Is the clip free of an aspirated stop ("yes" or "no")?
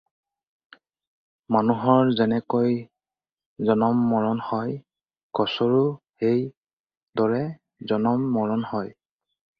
yes